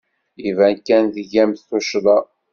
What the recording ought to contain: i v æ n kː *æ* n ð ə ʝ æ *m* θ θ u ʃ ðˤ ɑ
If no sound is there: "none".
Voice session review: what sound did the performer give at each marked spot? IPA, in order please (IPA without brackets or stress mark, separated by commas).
æ, m